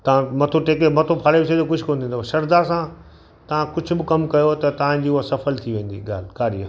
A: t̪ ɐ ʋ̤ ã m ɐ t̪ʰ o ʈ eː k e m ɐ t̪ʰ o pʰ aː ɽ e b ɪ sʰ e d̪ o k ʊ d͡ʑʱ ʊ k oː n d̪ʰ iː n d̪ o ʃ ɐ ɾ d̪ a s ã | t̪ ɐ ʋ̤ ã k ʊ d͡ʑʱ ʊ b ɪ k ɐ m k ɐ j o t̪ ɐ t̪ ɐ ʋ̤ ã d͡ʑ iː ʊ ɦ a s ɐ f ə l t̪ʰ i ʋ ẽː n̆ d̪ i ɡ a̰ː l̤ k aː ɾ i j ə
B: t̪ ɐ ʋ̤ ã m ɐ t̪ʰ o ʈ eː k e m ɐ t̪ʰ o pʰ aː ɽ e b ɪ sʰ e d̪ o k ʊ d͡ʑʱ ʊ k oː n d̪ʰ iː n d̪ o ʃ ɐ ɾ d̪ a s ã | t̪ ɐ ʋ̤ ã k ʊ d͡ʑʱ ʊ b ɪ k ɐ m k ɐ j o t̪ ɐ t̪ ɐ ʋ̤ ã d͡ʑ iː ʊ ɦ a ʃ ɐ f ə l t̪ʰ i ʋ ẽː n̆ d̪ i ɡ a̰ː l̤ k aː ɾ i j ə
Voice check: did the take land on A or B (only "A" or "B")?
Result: A